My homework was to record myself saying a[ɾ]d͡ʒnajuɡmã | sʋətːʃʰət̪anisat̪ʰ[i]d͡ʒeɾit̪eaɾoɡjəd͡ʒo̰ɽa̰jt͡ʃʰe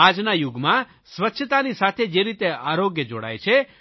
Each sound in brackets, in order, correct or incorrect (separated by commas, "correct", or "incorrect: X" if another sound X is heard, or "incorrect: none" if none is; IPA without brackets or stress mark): incorrect: none, incorrect: e